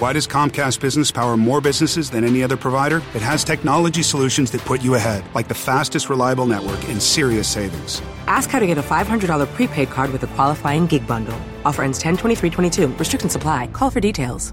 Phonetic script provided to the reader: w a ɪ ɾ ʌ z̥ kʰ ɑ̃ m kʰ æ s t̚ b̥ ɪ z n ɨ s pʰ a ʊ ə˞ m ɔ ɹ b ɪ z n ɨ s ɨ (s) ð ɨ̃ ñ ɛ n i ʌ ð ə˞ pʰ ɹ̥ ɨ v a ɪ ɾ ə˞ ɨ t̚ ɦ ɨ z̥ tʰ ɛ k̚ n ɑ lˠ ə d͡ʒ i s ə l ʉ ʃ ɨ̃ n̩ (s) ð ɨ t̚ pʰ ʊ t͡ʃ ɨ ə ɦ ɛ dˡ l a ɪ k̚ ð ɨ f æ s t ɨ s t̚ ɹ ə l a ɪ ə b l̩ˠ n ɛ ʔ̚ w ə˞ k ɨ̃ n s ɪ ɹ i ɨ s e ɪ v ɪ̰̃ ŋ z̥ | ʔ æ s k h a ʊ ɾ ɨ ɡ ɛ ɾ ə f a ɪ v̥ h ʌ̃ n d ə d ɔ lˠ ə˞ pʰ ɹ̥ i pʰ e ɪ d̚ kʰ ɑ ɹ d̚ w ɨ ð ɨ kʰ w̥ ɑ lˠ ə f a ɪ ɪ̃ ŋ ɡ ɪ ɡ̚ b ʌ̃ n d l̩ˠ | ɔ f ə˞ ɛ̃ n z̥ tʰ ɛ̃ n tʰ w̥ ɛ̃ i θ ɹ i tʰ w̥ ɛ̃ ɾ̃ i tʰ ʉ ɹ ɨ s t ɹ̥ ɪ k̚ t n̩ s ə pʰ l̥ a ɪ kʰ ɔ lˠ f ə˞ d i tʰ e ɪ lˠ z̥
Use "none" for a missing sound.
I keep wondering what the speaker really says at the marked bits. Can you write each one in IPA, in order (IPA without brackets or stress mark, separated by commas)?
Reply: z, z